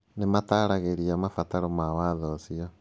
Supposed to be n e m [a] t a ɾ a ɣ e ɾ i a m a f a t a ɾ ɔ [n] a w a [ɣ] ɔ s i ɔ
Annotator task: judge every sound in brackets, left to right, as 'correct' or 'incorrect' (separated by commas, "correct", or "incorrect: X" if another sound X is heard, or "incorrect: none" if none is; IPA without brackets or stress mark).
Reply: correct, incorrect: m, incorrect: ð